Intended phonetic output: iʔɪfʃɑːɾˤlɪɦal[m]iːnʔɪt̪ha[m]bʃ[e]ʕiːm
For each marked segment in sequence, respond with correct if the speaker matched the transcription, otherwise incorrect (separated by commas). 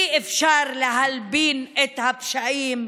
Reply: incorrect, incorrect, incorrect